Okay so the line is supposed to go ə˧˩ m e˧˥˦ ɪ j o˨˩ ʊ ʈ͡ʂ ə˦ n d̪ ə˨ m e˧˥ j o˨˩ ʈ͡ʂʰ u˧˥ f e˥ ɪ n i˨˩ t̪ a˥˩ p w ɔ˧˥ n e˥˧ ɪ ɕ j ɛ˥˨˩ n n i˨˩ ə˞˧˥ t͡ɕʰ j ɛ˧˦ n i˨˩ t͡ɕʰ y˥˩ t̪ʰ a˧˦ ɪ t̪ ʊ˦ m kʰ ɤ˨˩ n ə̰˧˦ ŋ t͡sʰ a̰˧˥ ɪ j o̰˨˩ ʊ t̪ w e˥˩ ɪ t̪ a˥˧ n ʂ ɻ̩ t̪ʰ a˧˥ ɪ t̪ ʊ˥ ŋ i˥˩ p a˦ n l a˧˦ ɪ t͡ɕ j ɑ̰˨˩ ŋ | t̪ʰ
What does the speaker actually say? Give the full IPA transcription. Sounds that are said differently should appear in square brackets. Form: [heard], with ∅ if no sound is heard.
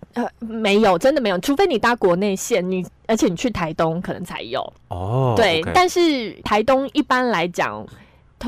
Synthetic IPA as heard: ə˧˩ m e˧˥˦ ɪ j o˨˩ ʊ ʈ͡ʂ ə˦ n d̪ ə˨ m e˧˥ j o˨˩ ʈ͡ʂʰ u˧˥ f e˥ ɪ n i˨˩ t̪ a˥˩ [k] w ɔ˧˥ n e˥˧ ɪ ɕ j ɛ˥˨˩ n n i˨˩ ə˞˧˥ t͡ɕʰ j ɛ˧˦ n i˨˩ t͡ɕʰ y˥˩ t̪ʰ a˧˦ ɪ t̪ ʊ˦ [ŋ] kʰ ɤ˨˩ n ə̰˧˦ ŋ t͡sʰ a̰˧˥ ɪ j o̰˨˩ ʊ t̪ w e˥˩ ɪ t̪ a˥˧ n ʂ ɻ̩ t̪ʰ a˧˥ ɪ t̪ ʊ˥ ŋ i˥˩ p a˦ n l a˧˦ ɪ t͡ɕ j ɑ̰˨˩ ŋ | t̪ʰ